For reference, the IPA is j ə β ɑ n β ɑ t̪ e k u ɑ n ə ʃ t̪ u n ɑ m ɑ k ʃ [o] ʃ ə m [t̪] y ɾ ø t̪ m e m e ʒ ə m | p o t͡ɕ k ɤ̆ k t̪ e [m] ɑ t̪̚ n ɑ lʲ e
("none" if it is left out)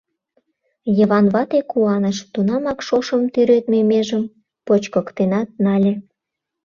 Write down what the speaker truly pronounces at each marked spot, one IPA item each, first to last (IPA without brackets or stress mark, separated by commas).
o, t̪, n